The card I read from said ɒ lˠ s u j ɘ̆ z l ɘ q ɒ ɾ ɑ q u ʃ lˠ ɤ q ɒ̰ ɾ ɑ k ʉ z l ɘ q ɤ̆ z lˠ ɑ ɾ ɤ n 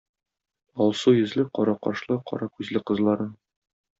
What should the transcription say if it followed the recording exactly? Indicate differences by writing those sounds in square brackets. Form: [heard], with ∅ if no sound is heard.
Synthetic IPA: ɒ lˠ s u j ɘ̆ z l ɘ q ɒ ɾ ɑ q [ɒ] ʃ lˠ ɤ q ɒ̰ ɾ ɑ k ʉ z l ɘ q ɤ̆ z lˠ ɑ ɾ ɤ n

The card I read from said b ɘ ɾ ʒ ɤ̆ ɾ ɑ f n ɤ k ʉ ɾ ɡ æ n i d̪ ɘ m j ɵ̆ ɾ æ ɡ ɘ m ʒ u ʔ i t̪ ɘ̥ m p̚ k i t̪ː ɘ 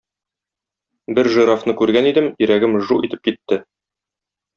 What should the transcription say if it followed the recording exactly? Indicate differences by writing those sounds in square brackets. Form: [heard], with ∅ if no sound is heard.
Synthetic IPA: b ɘ ɾ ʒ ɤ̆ ɾ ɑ f n ɤ k ʉ ɾ ɡ æ n i d̪ ɘ m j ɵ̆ ɾ æ ɡ ɘ m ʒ u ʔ i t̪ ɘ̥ [∅] p̚ k i t̪ː ɘ

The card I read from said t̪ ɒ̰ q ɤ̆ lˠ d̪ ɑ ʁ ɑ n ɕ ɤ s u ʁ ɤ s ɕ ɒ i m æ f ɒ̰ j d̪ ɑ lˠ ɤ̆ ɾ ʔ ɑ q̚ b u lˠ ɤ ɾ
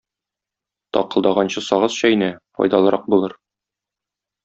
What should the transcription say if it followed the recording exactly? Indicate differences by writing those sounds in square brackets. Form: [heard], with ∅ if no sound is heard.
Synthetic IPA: t̪ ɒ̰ q ɤ̆ lˠ d̪ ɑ ʁ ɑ n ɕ ɤ s [ɒ] ʁ ɤ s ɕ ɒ i [n] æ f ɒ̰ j d̪ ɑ lˠ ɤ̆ ɾ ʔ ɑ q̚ b u lˠ ɤ ɾ

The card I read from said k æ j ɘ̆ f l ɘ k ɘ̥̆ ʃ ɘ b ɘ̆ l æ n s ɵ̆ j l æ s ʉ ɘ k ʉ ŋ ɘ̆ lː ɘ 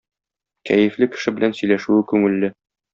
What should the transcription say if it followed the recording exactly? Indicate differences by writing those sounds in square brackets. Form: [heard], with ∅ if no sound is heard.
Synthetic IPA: k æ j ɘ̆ f l ɘ k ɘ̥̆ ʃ ɘ b ɘ̆ l æ n s ɵ̆ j l æ [ʃ] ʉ ɘ k ʉ ŋ ɘ̆ lː ɘ

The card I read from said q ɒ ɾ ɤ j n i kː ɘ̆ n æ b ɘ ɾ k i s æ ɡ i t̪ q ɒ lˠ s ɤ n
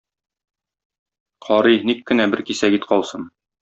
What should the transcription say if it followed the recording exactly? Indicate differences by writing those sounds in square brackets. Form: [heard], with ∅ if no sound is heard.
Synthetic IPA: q ɒ ɾ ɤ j n i kː ɘ̆ n æ b ɘ ɾ k i s æ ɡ i t̪ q ɒ lˠ s ɤ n

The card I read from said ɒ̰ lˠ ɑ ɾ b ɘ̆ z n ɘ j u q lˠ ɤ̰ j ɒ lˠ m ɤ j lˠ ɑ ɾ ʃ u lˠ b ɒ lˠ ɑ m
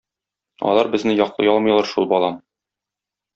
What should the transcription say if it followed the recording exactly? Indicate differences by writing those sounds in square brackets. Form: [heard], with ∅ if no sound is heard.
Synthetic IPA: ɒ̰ lˠ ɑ ɾ b ɘ̆ z n ɘ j [ɒ] q lˠ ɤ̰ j ɒ lˠ m ɤ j lˠ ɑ ɾ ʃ u lˠ b ɒ lˠ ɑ m

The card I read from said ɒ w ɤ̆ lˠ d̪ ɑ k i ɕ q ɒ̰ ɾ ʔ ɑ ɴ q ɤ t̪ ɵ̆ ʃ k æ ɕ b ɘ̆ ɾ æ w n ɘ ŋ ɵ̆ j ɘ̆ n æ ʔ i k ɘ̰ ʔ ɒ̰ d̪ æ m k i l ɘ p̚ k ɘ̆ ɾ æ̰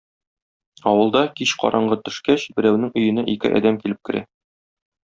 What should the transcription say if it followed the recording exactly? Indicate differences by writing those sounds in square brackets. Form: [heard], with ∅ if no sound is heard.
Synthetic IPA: ɒ w ɤ̆ lˠ d̪ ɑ k i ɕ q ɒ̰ ɾ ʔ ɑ ɴ [ɢ] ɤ t̪ ɵ̆ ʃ k æ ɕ b ɘ̆ ɾ æ w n ɘ ŋ ɵ̆ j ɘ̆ n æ ʔ i k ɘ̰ ʔ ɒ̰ d̪ æ m k i l ɘ p̚ k ɘ̆ ɾ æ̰

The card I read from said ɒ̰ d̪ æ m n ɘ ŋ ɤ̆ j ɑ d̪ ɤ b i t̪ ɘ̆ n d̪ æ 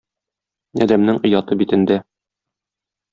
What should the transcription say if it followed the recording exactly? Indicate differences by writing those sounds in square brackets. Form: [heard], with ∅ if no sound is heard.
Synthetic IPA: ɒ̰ d̪ æ m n ɘ ŋ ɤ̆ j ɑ [t̪] ɤ b i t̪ ɘ̆ n d̪ æ

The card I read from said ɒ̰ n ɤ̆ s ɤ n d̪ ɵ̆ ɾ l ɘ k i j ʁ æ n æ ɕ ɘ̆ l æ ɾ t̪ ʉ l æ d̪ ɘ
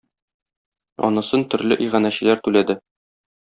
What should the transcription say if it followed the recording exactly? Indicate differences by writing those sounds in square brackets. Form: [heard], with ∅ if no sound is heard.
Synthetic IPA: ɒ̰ n ɤ̆ s ɤ n [t̪] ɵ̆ ɾ l ɘ [ʔ] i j ʁ æ n æ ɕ ɘ̆ l æ ɾ t̪ ʉ l æ d̪ ɘ

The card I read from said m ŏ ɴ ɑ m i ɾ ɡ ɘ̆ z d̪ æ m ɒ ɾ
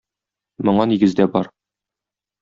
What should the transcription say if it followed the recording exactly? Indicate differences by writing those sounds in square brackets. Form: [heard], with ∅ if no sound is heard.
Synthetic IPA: m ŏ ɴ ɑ [n] i [∅] ɡ ɘ̆ z d̪ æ [b] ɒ ɾ

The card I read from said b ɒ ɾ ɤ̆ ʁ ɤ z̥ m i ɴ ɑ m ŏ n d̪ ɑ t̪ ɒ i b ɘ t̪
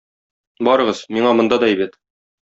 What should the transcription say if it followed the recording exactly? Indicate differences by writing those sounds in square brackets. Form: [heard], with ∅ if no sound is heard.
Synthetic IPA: b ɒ ɾ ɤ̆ ʁ ɤ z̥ m i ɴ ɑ m ŏ n d̪ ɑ [d̪] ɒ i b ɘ t̪

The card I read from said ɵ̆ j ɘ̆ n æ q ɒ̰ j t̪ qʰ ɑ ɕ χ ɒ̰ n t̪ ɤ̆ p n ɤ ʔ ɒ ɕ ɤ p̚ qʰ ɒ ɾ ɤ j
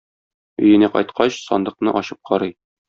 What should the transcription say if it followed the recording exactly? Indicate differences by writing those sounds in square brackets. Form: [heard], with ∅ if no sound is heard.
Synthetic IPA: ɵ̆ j ɘ̆ n æ q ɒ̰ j t̪ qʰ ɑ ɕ [s] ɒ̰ n [d̪] ɤ̆ [q] n ɤ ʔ ɒ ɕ ɤ p̚ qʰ ɒ ɾ ɤ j

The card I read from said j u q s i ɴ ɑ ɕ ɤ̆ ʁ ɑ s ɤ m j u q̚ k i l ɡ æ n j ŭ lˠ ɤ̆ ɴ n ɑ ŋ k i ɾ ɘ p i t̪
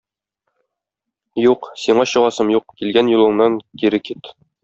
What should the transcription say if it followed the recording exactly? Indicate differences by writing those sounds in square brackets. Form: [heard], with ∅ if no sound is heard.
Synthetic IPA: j u q s i ɴ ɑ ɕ ɤ̆ ʁ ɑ s ɤ m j u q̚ k i l ɡ æ n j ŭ lˠ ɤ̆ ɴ n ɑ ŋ k i ɾ ɘ [k] i t̪

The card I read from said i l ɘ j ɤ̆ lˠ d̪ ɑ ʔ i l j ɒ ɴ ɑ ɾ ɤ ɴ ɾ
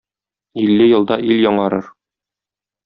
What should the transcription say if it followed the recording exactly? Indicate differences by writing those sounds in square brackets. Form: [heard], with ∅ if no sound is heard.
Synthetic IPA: i [lː] ɘ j ɤ̆ lˠ d̪ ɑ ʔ i l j ɒ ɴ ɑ ɾ ɤ [∅] ɾ

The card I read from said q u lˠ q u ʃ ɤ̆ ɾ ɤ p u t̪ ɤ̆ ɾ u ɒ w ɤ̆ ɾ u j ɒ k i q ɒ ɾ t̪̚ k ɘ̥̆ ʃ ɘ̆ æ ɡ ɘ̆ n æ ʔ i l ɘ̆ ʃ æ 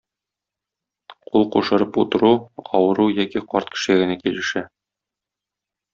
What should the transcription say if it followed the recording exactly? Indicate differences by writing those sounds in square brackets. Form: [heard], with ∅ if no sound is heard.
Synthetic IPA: q u lˠ q u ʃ ɤ̆ ɾ ɤ p u t̪ ɤ̆ ɾ u ɒ w ɤ̆ ɾ u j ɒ k i q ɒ ɾ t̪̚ k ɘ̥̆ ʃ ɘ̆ æ ɡ ɘ̆ n æ [k] i l ɘ̆ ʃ æ

